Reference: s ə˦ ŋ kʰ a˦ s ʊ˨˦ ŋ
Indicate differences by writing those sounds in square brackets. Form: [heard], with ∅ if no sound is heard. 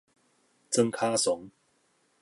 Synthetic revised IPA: [t͡s] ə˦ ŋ kʰ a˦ s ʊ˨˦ ŋ